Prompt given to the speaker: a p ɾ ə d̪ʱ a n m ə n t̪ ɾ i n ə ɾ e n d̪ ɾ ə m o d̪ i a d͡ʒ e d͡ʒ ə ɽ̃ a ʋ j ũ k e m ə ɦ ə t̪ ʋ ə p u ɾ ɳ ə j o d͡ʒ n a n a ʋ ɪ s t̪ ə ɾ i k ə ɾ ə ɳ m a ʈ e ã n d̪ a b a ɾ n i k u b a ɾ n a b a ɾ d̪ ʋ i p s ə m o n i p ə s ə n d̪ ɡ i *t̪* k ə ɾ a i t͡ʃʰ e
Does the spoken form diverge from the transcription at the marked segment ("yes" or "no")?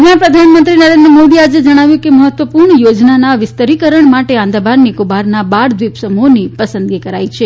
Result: yes